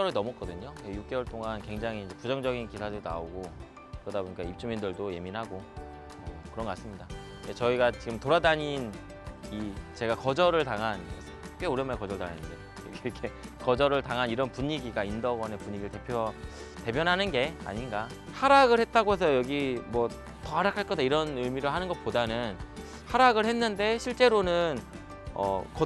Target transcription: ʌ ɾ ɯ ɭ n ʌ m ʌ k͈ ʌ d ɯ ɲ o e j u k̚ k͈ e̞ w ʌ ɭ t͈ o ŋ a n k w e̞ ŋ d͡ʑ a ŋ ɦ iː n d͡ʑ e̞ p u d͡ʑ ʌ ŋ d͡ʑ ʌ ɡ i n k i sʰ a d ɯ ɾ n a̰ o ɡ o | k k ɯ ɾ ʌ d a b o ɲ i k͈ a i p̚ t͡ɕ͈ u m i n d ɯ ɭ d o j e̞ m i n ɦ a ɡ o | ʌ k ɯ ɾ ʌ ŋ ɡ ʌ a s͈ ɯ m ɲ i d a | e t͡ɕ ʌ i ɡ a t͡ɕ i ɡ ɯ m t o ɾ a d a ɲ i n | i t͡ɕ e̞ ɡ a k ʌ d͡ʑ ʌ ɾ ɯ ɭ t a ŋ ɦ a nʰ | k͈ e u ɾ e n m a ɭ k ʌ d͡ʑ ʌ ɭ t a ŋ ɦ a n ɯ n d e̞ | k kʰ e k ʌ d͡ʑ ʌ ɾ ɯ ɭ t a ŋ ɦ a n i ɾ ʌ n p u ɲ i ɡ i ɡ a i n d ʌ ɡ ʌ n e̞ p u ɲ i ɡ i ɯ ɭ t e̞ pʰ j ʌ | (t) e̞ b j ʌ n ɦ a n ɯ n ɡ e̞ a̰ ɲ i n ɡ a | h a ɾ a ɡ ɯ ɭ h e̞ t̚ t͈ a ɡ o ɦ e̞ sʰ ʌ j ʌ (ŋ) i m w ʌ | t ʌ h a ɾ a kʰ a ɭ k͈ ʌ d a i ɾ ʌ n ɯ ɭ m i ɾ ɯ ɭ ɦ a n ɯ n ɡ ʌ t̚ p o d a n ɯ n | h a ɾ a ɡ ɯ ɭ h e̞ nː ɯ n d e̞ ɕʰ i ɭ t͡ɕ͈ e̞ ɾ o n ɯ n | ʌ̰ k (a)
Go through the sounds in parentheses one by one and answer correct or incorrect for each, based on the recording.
correct, incorrect, incorrect

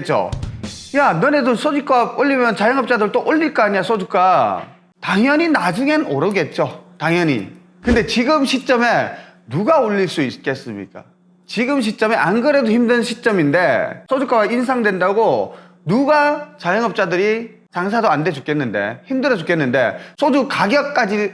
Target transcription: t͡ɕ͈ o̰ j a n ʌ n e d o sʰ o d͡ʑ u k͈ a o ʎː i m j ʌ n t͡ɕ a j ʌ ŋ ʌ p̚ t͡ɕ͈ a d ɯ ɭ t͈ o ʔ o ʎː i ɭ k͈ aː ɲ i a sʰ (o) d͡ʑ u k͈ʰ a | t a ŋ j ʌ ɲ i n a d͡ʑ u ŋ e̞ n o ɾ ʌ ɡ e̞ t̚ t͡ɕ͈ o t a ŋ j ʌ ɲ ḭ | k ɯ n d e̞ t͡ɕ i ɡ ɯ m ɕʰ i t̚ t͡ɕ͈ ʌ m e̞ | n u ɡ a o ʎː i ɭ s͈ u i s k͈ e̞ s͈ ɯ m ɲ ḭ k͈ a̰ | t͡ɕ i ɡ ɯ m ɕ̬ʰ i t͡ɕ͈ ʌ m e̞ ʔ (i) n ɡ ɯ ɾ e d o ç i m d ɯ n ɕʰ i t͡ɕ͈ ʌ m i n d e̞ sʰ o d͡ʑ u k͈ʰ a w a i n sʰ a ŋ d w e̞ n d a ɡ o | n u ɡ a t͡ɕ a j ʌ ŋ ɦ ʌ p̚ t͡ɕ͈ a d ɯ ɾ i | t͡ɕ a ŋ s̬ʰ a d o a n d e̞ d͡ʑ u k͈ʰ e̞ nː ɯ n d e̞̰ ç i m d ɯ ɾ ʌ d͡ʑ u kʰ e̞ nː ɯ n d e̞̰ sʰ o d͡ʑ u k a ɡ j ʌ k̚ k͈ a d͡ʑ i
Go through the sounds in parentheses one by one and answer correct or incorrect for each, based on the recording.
correct, incorrect

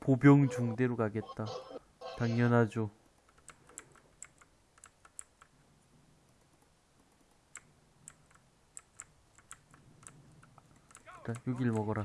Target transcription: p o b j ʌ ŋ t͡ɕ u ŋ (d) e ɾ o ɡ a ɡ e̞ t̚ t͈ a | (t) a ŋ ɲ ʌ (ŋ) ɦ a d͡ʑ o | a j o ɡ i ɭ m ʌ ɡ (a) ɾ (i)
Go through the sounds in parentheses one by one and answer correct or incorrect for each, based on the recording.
correct, correct, incorrect, incorrect, incorrect

